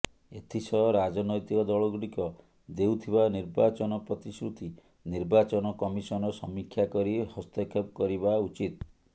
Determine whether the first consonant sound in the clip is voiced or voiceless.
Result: voiceless